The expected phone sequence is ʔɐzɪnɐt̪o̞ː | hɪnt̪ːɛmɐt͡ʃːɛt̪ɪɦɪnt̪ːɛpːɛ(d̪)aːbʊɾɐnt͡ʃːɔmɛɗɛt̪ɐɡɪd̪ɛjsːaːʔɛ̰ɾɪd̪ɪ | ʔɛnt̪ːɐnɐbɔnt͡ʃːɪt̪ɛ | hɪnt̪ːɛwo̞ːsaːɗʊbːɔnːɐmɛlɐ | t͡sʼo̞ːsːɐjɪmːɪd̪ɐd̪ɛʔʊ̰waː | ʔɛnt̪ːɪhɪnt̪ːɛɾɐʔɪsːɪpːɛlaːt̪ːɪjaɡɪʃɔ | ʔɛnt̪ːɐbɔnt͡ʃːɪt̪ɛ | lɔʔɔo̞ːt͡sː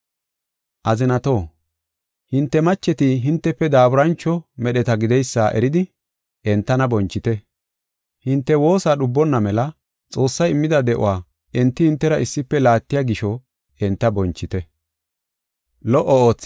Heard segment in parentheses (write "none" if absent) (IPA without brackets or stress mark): d̪